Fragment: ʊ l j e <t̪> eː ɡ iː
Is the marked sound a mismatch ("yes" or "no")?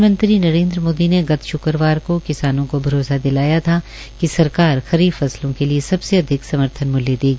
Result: yes